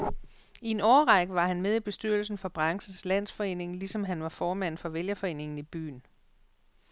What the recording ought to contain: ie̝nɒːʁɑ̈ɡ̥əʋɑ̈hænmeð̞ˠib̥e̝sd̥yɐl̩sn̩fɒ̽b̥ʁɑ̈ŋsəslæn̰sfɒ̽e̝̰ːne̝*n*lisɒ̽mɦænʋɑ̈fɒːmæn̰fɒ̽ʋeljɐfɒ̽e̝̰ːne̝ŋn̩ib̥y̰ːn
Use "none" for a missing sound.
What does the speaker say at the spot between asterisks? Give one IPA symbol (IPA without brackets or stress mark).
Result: ŋ